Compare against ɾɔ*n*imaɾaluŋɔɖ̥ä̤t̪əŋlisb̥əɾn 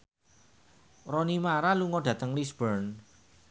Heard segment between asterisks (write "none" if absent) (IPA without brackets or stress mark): n